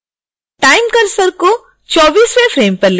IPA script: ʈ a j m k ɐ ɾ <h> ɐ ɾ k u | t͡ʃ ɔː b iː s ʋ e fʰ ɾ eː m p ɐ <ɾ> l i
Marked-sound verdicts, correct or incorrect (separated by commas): incorrect, correct